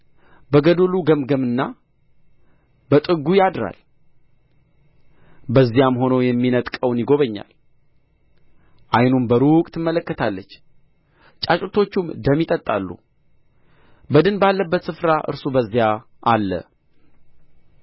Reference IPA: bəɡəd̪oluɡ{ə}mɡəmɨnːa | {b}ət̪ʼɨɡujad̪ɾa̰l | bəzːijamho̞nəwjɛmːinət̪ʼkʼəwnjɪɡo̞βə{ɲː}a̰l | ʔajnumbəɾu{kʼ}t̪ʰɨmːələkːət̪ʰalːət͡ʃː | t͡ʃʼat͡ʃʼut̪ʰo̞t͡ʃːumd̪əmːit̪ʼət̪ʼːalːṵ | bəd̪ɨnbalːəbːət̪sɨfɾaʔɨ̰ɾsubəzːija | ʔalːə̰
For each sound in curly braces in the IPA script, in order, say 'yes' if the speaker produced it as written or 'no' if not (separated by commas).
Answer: yes, yes, yes, yes